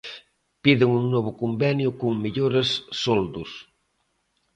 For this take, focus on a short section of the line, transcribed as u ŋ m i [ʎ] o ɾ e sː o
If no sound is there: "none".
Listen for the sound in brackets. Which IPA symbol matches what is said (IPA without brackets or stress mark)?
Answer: ʎ